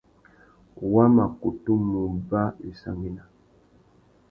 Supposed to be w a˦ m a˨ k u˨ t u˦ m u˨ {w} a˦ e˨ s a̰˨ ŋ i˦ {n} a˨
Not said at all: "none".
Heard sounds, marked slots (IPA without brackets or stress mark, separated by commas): b, n